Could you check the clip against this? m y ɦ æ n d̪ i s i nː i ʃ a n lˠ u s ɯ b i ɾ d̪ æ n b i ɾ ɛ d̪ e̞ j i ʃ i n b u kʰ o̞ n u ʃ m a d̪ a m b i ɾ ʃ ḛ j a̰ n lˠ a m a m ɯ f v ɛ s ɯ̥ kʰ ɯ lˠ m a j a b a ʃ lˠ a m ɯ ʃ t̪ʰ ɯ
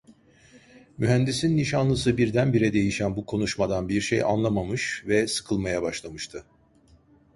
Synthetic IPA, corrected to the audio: m y ɦ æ n d̪ i s i nː i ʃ a n lˠ ɯ s ɯ b i ɾ d̪ æ n b i ɾ ɛ d̪ e̞ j i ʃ æ n b u kʰ o̞ n u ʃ m a d̪ a n b i ɾ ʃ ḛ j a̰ n lˠ a m a m ɯ ʃ v ɛ s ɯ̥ kʰ ɯ lˠ m a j a b a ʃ lˠ a m ɯ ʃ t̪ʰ ɯ